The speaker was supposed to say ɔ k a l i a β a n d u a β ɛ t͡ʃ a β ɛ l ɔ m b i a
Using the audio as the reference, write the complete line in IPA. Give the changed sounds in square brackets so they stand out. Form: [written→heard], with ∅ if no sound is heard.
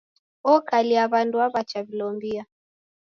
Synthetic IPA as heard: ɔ k a l i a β a n d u a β [ɛ→a] t͡ʃ a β [ɛ→i] l ɔ m b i a